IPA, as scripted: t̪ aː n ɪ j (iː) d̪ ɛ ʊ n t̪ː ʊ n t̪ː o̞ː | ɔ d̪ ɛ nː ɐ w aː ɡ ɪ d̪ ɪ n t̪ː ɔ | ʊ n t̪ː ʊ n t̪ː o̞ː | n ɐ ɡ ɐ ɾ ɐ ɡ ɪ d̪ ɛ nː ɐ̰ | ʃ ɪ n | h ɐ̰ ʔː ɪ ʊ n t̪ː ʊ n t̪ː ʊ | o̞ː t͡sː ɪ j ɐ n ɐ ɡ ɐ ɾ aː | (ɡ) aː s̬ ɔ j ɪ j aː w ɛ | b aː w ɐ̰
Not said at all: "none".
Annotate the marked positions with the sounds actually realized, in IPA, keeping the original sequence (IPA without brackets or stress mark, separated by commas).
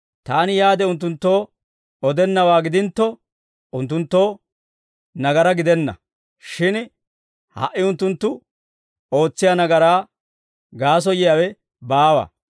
aː, ɡ